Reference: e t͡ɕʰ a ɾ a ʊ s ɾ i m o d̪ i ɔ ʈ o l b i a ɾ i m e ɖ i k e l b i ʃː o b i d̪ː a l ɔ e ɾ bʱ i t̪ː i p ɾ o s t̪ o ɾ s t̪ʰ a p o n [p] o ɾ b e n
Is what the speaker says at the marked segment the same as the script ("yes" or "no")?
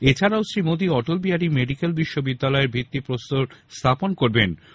no